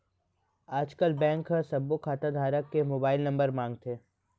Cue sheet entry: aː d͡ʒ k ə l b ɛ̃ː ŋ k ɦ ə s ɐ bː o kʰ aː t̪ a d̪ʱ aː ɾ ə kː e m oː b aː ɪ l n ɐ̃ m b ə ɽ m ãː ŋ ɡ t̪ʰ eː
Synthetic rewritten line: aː d͡ʒ k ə l b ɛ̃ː ŋ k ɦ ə s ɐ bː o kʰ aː t̪ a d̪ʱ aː ɾ ə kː e m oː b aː ɪ l n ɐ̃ m b ə ɾ m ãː ŋ ɡ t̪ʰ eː